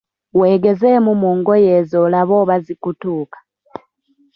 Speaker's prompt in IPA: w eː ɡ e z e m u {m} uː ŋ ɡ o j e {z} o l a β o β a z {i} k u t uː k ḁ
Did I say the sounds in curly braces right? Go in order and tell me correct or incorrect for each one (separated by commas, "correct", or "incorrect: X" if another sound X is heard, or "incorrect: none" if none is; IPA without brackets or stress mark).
correct, correct, correct